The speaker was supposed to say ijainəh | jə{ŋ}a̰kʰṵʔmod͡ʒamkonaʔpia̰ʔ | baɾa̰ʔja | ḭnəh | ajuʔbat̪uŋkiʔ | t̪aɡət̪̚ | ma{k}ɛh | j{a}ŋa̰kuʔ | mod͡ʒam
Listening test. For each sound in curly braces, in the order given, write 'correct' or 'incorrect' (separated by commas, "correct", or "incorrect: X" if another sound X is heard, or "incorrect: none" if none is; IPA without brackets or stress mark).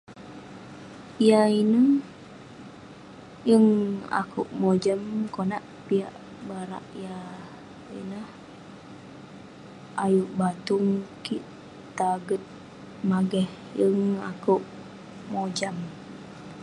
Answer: correct, incorrect: ɡ, incorrect: ə